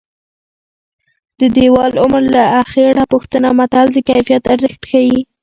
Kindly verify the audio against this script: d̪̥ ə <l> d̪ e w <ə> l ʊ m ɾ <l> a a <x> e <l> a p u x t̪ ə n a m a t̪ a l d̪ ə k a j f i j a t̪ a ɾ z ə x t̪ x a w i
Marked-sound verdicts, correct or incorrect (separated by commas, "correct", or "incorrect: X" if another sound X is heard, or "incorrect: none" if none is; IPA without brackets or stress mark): incorrect: none, incorrect: ɑ, correct, correct, incorrect: ɽ